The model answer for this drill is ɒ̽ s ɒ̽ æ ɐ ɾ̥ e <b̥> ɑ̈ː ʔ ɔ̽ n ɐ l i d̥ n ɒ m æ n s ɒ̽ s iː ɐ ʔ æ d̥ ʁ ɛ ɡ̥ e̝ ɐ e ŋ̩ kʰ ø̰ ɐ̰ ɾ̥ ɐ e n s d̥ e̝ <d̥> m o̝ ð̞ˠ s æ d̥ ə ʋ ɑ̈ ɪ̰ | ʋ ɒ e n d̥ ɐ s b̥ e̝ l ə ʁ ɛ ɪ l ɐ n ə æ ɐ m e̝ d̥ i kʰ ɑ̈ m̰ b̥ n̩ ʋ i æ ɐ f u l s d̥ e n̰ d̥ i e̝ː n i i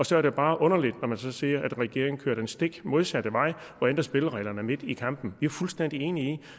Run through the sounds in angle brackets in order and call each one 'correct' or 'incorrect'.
correct, incorrect

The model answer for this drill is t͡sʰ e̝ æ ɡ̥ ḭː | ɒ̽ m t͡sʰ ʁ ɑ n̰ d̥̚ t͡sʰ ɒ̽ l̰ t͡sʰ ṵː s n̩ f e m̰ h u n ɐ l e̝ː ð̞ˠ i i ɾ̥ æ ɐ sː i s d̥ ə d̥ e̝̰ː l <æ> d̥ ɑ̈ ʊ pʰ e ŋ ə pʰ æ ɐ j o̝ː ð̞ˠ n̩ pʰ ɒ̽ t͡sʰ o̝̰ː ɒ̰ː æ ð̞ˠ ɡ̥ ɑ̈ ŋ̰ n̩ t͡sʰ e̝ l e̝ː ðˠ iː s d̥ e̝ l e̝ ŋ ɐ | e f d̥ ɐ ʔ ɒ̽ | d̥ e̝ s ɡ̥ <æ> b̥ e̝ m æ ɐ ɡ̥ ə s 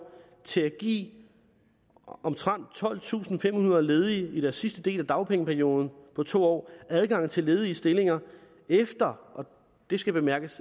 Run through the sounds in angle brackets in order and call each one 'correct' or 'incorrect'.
correct, correct

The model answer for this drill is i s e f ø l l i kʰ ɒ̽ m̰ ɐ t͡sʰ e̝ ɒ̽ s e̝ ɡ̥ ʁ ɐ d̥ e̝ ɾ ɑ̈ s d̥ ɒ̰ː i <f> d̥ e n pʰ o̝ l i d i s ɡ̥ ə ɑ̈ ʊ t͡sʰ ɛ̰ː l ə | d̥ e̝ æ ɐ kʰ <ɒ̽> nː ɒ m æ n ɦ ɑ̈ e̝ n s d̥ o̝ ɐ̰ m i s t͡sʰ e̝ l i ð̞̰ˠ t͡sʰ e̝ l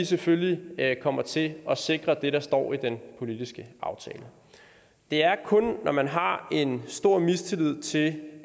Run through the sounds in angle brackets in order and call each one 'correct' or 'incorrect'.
incorrect, incorrect

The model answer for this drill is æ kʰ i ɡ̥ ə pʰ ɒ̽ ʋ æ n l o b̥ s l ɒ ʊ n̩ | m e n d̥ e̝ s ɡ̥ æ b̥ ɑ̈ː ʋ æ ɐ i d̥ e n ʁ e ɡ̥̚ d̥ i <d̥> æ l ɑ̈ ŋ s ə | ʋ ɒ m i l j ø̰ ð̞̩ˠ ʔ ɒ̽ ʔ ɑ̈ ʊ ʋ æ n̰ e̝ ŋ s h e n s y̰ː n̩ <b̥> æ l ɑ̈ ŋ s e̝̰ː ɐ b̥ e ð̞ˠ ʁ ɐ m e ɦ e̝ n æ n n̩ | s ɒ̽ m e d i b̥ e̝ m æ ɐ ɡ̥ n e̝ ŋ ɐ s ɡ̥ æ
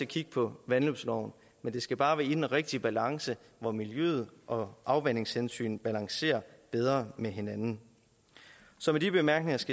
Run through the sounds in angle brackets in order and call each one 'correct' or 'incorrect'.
incorrect, correct

